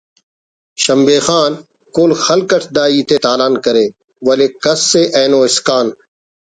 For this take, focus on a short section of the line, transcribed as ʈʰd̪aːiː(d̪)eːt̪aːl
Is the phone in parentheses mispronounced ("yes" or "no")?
yes